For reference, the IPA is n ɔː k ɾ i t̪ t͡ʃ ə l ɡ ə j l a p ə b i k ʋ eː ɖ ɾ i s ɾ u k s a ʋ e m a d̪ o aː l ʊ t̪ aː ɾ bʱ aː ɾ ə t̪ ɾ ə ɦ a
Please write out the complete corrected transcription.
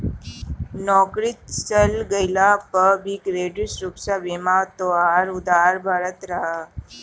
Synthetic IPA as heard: n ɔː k ɾ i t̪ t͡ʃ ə l ɡ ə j l a p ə b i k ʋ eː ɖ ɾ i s ɾ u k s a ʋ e m a t̪ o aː ɾ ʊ d̪ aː ɾ bʱ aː ɾ ə t̪ ɾ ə ɦ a